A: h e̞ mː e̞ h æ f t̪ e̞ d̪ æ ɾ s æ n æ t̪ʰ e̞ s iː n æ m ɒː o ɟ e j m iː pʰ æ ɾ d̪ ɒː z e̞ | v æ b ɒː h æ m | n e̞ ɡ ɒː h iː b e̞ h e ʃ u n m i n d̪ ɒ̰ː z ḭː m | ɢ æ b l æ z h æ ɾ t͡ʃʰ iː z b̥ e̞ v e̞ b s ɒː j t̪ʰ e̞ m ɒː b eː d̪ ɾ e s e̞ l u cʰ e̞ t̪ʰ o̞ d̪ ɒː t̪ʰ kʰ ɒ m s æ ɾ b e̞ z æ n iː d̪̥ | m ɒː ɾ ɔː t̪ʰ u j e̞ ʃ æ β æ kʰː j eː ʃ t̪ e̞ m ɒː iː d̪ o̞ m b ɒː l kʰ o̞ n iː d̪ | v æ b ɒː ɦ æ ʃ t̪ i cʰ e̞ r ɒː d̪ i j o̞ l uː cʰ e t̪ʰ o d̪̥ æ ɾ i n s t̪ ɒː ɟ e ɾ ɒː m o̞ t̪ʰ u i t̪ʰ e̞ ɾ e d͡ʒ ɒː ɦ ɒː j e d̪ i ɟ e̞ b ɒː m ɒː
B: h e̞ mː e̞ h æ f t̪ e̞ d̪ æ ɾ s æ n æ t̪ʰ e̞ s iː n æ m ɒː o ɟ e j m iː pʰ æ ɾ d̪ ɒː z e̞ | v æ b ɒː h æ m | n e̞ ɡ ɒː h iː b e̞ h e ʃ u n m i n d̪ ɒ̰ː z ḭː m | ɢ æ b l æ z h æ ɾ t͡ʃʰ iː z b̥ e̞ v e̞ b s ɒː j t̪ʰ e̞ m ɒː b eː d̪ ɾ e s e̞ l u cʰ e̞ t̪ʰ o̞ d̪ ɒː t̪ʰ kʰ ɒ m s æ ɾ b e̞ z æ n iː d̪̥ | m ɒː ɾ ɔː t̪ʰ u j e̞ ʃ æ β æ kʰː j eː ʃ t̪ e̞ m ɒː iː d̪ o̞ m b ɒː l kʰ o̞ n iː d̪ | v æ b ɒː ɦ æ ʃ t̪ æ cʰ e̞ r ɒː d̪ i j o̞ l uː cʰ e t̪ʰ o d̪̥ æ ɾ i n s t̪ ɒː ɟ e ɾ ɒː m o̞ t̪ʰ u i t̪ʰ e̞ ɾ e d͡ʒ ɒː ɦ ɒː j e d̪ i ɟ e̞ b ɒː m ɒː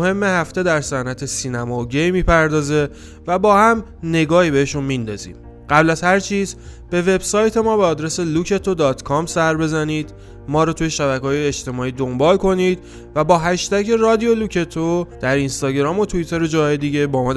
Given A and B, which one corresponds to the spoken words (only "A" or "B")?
B